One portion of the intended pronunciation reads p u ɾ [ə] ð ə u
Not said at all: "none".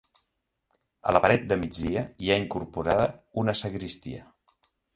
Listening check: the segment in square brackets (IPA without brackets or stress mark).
a